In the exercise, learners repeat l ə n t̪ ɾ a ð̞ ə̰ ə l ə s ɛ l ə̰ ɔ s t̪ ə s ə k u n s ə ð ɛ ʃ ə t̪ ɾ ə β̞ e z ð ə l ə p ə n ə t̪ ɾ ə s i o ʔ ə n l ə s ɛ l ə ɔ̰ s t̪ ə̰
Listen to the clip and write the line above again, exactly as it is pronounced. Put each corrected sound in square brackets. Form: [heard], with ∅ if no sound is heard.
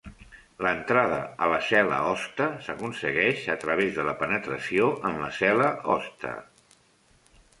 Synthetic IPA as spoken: l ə n t̪ ɾ a ð̞ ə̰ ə l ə s ɛ l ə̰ ɔ s t̪ ə s ə k u n s ə [ɣ] ɛ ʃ ə t̪ ɾ ə β̞ e z ð ə l ə p ə n ə t̪ ɾ ə s i o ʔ ə n l ə s ɛ l ə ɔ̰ s t̪ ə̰